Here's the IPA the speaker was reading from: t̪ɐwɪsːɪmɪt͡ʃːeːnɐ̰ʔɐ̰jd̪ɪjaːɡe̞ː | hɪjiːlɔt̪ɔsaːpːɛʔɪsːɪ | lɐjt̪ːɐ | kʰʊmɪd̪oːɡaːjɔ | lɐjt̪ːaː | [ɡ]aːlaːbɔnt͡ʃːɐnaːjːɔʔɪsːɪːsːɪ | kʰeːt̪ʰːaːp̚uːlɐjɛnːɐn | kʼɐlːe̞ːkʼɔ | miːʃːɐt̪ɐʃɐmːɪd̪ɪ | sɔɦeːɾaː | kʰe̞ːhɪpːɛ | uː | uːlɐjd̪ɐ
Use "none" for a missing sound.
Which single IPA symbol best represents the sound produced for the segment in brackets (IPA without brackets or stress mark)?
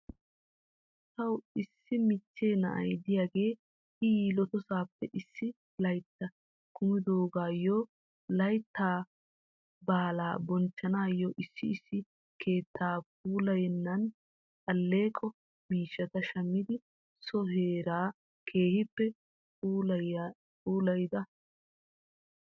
b